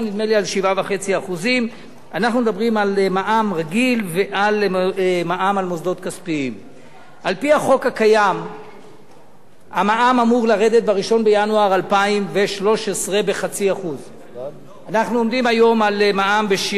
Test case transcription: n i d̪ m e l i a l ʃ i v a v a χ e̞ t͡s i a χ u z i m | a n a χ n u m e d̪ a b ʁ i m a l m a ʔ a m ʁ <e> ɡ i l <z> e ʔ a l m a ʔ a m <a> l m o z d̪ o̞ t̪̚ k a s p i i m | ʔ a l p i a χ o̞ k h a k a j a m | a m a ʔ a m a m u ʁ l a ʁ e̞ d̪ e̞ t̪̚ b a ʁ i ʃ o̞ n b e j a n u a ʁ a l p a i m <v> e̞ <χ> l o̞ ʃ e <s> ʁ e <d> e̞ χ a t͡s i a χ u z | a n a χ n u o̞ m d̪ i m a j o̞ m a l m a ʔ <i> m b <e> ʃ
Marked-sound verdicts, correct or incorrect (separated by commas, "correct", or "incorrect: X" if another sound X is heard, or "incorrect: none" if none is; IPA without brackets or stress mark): incorrect: a, incorrect: v, correct, correct, incorrect: ʃ, correct, incorrect: b, incorrect: a, correct